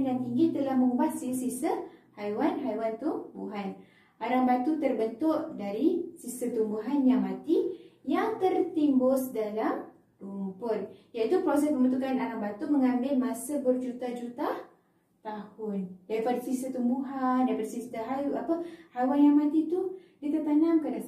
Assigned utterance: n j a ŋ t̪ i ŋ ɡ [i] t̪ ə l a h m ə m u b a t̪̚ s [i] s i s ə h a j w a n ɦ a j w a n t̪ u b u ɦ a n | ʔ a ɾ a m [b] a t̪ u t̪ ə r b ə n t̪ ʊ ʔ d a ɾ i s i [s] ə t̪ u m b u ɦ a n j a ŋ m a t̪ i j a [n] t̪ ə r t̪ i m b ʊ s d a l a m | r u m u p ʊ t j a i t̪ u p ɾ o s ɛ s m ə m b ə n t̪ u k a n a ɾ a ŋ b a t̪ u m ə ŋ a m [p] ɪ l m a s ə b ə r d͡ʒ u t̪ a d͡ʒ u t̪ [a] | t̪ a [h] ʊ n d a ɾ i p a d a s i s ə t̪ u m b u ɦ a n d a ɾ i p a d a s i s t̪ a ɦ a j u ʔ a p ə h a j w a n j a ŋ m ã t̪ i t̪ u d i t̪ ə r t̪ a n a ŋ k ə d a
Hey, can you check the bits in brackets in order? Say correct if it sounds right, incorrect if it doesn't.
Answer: correct, correct, correct, correct, incorrect, incorrect, correct, correct

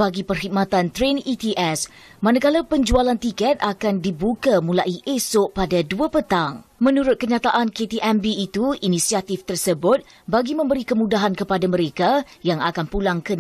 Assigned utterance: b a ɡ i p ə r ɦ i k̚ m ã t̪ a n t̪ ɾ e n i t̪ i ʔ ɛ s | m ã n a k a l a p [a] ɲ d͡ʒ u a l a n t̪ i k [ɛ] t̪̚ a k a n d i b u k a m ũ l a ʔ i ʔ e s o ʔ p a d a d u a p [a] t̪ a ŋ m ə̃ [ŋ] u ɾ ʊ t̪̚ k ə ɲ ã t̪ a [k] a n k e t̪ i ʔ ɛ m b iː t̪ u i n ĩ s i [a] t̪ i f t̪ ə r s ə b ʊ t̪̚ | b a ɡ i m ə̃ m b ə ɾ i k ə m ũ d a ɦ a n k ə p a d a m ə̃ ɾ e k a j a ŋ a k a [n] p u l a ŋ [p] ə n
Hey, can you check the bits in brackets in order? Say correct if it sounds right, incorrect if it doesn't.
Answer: incorrect, correct, incorrect, incorrect, incorrect, correct, correct, incorrect

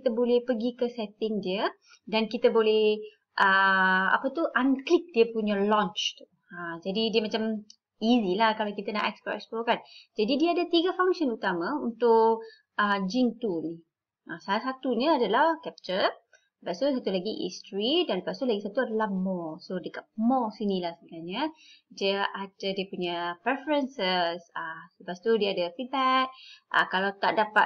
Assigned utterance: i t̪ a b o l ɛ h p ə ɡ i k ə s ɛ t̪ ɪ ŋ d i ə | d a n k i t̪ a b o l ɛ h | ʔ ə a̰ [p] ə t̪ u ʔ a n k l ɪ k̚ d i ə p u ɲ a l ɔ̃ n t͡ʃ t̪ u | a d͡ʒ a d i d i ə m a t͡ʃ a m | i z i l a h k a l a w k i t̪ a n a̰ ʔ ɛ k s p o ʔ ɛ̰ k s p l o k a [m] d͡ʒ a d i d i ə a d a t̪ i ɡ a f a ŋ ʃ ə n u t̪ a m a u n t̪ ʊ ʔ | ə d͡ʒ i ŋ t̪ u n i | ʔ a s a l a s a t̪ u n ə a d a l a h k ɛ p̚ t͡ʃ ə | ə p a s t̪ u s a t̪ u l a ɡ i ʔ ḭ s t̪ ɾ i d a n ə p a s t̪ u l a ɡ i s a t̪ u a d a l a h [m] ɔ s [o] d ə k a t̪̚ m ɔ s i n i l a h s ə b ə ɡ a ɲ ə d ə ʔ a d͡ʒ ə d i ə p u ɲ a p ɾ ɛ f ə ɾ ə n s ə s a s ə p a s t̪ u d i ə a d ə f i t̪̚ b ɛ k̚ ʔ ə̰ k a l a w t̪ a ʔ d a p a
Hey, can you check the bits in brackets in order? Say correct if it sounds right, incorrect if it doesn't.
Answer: correct, incorrect, correct, correct

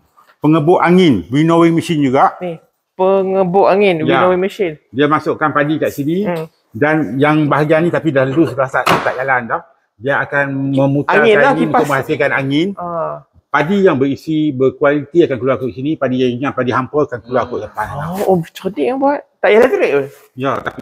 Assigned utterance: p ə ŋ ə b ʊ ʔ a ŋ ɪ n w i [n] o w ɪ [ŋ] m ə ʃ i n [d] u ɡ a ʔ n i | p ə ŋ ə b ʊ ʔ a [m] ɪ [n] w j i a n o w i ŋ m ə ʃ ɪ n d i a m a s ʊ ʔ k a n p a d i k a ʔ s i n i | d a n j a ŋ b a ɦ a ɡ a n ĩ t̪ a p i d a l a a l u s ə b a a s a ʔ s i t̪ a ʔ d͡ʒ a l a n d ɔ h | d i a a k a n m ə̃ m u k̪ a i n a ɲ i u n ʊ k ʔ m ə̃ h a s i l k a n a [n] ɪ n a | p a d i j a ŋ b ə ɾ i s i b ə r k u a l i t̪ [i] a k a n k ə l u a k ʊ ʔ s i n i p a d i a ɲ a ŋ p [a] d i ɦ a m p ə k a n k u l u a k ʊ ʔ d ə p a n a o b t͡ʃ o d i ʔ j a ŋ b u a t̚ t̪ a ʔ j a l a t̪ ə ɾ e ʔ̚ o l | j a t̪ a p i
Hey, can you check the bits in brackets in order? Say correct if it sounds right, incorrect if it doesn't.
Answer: correct, correct, incorrect, incorrect, correct, incorrect, correct, correct

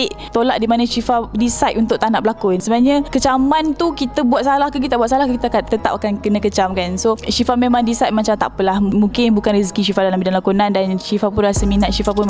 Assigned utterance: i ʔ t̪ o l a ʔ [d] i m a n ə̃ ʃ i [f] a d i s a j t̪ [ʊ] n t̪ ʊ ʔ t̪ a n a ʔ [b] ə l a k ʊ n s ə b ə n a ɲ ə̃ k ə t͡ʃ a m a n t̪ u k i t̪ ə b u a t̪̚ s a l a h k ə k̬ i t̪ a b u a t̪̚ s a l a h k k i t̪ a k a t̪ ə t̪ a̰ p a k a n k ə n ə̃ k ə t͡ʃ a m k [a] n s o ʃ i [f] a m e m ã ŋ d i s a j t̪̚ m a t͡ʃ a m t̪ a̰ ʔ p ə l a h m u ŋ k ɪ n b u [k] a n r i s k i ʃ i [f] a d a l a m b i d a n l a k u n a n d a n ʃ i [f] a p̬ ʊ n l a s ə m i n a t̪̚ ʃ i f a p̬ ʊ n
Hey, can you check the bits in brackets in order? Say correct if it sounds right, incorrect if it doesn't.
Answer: correct, correct, incorrect, correct, correct, correct, correct, correct, correct

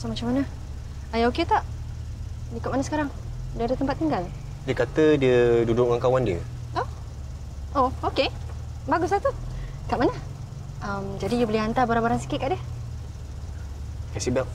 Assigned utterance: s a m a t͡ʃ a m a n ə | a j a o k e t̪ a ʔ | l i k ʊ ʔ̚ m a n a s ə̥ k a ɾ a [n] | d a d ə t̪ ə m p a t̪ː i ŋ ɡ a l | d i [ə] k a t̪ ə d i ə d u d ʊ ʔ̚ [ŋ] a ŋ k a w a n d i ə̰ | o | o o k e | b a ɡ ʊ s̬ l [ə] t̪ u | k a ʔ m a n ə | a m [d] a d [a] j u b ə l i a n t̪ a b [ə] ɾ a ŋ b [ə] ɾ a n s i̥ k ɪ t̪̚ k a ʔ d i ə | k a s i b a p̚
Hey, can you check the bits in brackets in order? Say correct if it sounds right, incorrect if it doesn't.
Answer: incorrect, correct, correct, incorrect, incorrect, incorrect, incorrect, incorrect

